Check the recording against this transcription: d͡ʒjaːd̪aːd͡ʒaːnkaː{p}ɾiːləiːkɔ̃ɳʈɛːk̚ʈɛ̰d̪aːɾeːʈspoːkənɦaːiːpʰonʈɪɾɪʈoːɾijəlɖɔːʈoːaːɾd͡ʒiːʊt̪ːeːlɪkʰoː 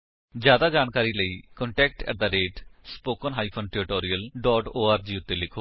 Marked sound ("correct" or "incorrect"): incorrect